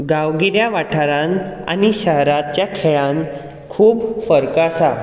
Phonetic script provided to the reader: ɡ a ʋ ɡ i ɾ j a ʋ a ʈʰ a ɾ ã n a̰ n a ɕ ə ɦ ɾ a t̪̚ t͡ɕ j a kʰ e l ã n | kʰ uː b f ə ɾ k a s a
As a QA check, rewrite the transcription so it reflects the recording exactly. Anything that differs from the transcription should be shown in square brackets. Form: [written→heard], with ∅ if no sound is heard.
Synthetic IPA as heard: ɡ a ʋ ɡ i ɾ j a ʋ a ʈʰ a ɾ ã n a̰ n [a→i] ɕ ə ɦ ɾ a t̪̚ t͡ɕ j a kʰ e [l→ɭ] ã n | kʰ uː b f ə ɾ k a s a